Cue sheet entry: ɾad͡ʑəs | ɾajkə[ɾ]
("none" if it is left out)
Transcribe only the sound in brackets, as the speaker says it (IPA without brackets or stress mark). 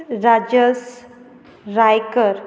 ɾ